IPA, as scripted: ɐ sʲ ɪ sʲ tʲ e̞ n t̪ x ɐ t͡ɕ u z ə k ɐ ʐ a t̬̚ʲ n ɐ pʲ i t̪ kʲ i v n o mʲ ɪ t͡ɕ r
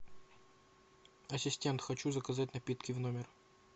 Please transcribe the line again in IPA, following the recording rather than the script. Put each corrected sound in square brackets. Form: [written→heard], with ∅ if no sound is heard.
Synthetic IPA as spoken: ɐ sʲ ɪ sʲ tʲ e̞ n t̪ x ɐ t͡ɕ u z ə k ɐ [ʐ→z] a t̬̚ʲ n ɐ pʲ i t̪ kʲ [i→ɪ] v n o mʲ ɪ [t͡ɕ→∅] r